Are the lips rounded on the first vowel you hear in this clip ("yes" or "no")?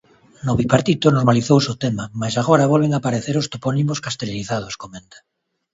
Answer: yes